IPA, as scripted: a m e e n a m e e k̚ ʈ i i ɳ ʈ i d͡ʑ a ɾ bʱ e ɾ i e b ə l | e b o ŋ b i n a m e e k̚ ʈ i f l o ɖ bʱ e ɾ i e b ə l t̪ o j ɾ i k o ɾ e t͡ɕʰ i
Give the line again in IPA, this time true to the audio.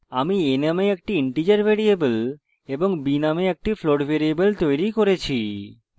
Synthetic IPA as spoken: a m i e n a m e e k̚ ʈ i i ɳ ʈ i d͡ʑ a ɾ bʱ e ɾ i e b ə l | e b o ŋ b i n a m e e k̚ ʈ i f l o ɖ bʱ e ɾ i e b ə l t̪ o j ɾ i k o ɾ e t͡ɕʰ i

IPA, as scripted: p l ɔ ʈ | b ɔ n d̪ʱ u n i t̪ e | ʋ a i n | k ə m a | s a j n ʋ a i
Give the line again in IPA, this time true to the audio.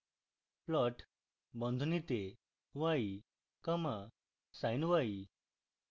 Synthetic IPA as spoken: p l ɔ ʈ | b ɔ n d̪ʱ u n i t̪ e | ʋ a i | k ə m a | s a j n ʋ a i

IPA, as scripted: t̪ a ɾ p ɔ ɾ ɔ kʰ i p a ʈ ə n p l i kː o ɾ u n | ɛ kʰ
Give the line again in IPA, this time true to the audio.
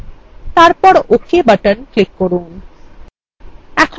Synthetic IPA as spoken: t̪ a ɾ p ɔ ɾ o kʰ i b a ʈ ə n k l i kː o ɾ u n | ɛ kʰ

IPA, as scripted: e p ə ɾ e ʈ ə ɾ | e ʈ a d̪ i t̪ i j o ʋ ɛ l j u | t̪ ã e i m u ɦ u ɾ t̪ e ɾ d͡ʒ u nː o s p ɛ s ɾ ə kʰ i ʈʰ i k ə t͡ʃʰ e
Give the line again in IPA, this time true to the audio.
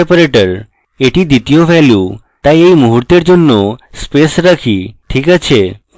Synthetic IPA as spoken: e p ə ɾ e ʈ ə ɾ | e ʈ i d̪ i t̪ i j o ʋ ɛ l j u | t̪ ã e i m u ɦ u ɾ t̪ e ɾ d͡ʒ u nː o s p e s ɾ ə kʰ i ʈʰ i k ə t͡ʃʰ e

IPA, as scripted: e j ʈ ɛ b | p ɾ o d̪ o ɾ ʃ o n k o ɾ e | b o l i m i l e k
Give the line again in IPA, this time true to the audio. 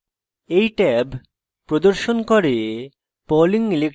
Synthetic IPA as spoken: e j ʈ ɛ b | p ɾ o d̪ o ɾ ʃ o n k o ɾ e | p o l i ŋ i l e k

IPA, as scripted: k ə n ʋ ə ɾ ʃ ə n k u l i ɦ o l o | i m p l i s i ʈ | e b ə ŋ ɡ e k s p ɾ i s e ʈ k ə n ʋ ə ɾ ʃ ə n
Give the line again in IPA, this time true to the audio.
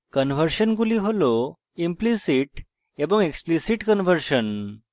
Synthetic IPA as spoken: k ə n ʋ ə ɾ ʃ ə n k u l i ɦ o l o | i m p l i s i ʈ | e b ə ŋ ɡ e k s p l i s i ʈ k ə n ʋ ə ɾ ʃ ə n

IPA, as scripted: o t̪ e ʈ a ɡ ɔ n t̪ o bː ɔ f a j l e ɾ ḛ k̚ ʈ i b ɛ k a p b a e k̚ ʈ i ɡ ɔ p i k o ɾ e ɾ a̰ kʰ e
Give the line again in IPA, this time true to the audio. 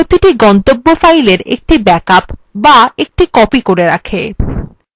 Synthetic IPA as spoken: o t̪ i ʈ i ɡ ɔ n t̪ o bː o f a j l e ɾ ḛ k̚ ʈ i b ɛ k a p b a e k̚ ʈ i k ɔ p i k o ɾ e ɾ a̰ kʰ e

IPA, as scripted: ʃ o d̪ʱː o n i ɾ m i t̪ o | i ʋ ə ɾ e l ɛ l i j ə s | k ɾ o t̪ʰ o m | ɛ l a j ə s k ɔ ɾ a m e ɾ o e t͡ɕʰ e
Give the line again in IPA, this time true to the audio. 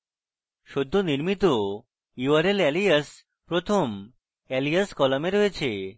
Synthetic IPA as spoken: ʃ o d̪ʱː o n i ɾ m i t̪ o | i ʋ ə ɾ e l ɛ l i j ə s | p ɾ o t̪ʰ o m | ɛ l i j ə s k ɔ l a m e ɾ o e t͡ɕʰ e

